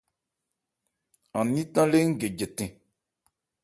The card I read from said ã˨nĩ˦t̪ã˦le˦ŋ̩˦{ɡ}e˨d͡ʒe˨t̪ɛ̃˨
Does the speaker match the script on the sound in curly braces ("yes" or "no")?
yes